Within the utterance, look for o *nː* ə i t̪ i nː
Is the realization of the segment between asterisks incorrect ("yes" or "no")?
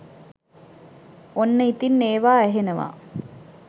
no